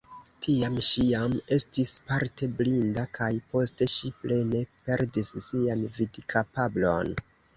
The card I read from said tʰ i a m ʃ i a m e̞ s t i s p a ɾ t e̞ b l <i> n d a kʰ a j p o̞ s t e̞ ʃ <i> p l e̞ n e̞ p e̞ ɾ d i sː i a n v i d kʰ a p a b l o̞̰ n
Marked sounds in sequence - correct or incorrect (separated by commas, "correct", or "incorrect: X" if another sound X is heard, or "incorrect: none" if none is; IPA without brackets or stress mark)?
correct, correct